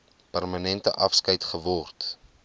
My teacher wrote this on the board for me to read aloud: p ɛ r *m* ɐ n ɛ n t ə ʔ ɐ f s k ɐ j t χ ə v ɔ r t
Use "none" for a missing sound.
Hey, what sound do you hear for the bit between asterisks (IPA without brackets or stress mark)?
m